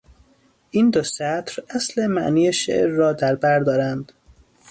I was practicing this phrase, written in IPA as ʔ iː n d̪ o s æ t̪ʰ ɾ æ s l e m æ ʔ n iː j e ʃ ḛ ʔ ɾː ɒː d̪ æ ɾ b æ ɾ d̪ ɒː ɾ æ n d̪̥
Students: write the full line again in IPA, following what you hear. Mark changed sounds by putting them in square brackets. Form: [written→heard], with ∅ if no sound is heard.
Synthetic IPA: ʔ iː n d̪ o s æ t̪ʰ ɾ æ s l e m æ ʔ n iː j e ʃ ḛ ʔ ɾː ɒː d̪ æ ɾ b æ ɾ d̪ ɒː ɾ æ n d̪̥